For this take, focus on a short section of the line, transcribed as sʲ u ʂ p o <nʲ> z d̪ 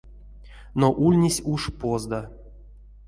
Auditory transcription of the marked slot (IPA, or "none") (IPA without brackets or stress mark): none